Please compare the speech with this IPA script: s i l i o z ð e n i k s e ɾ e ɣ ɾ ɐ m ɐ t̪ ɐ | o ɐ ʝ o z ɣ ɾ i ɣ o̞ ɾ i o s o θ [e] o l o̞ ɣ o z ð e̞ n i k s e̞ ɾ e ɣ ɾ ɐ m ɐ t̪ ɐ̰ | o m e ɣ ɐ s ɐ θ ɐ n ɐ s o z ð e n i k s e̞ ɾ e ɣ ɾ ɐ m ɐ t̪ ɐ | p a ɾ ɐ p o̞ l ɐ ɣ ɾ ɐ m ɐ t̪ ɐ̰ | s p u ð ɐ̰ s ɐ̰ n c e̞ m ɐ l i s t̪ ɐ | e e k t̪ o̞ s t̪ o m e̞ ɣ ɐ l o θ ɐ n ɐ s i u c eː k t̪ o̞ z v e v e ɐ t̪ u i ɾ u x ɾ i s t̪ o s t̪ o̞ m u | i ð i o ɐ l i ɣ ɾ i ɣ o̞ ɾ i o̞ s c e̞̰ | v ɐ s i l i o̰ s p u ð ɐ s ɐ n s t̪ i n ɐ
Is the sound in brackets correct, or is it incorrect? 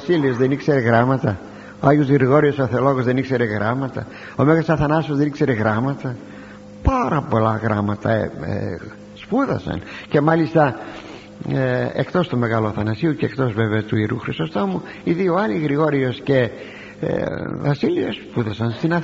correct